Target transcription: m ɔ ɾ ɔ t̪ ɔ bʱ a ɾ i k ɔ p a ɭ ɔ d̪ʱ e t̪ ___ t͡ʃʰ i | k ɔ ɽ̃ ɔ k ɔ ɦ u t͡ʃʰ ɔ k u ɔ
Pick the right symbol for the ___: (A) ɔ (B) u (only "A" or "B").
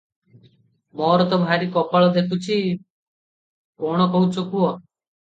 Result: B